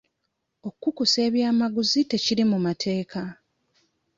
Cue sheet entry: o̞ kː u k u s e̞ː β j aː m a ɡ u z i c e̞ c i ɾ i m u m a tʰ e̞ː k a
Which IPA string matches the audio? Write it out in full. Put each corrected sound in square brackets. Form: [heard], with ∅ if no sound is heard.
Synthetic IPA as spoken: o̞ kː u k u s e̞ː β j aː m a ɡ u z i [t] e̞ c i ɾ i m u m a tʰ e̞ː k a

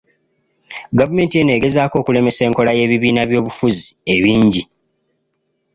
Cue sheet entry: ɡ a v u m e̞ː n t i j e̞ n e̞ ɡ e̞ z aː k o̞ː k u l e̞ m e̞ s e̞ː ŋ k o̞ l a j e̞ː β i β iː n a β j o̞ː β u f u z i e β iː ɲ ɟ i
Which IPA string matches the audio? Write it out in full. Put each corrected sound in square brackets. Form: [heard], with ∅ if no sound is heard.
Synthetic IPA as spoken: ɡ a v u m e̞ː n t i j e̞ n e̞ ɡ e̞ z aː k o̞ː k u l e̞ m e̞ s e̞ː ŋ k o̞ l a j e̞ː β i β iː n a β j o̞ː β u f u z i e β iː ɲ ɟ i

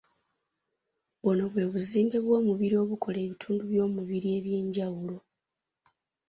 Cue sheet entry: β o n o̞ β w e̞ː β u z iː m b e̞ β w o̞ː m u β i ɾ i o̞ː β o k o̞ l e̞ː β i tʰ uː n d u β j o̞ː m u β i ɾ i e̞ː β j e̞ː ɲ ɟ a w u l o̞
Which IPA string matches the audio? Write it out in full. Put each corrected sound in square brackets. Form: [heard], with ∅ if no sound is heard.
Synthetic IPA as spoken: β o n o̞ β w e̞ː β u z iː m b e̞ β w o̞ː m u β i ɾ i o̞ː β [u] k o̞ l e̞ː β i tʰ uː n d u β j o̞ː m u β i ɾ i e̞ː β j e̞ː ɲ ɟ a w u l o̞

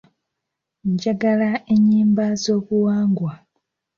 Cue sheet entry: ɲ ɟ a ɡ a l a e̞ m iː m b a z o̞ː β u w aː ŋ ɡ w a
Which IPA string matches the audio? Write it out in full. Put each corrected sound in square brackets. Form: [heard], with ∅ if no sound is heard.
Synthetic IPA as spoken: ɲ ɟ a ɡ a l a e̞ [ɲ] iː m b a z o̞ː β u w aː ŋ ɡ w a

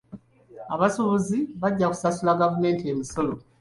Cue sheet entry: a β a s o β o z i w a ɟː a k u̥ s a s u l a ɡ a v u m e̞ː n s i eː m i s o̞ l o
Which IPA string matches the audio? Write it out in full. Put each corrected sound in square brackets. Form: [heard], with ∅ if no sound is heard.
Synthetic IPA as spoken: a β a s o β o z i [β] a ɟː a k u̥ s a s u l a ɡ a v u m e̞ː n [t] i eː m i s o̞ l o

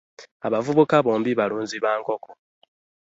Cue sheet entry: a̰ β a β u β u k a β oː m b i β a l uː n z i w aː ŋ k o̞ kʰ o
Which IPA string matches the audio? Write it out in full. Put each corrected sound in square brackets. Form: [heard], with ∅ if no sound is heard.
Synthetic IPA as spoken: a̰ β a [v] u β u k a β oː m b i β a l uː n z i [β] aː ŋ k o̞ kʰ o

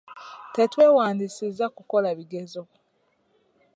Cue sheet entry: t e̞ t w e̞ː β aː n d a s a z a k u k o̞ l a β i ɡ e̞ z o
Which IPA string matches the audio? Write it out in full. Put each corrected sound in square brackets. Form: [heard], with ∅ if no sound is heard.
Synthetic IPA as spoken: t e̞ t w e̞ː [w] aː n d [i] s [i] z a k u k o̞ l a β i ɡ e̞ z o

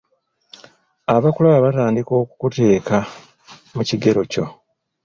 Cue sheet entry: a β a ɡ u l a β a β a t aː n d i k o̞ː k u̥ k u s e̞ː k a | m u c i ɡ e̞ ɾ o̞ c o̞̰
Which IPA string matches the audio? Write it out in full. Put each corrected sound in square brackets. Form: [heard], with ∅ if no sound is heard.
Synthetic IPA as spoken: a β a [k] u l a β a β a t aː n d i k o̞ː k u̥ k u [t] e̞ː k a | m u c i ɡ e̞ ɾ o̞ c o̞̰

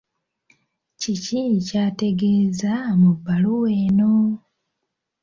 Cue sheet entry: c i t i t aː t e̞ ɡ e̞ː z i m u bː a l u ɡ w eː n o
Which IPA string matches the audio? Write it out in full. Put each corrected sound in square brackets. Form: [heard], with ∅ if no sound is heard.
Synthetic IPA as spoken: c i [c] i [c] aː t e̞ ɡ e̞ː z [a] m u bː a l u [∅] w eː n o

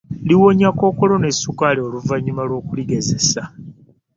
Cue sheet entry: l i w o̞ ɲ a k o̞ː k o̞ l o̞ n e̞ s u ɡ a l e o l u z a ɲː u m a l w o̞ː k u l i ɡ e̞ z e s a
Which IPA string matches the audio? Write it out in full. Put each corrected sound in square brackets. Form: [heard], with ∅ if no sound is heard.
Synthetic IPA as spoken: l i w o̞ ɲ a k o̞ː k o̞ l o̞ n e̞ s u [k] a l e o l u [v] a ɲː u m a l w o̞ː k u l i ɡ e̞ z e s a

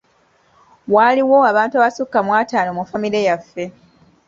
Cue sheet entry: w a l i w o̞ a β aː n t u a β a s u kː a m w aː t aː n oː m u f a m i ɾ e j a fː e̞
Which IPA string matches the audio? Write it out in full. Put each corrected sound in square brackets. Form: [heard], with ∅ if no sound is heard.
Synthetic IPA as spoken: w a l i w o̞ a β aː n t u a β a s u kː a m w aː t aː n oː m u f a m i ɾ e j a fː e̞

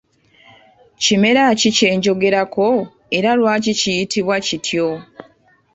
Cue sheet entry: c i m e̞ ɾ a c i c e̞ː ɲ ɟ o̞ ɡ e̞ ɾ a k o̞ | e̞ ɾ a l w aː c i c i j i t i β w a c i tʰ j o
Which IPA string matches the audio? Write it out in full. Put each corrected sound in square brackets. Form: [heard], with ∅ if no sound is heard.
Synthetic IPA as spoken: c i m e̞ ɾ a c i c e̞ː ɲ ɟ o̞ ɡ e̞ ɾ a k o̞ | e̞ ɾ a l w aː c i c i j i t i β w a c i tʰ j o

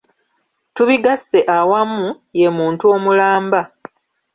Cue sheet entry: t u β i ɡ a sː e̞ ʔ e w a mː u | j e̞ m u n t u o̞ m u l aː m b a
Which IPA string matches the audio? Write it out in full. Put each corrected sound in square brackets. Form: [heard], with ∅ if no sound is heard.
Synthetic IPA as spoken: t u β i ɡ a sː e̞ ʔ [a] w a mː u | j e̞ m [uː] n t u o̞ m u l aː m b a

